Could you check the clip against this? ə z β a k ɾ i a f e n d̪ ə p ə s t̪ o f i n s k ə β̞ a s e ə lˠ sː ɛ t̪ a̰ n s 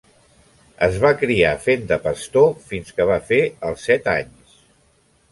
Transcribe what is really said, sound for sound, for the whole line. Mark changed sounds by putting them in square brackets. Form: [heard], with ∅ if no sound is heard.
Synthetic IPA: ə z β a k ɾ i a f e n d̪ ə p ə s t̪ o f i n s k ə β̞ a [f] e ə lˠ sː ɛ t̪ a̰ [ɲ] s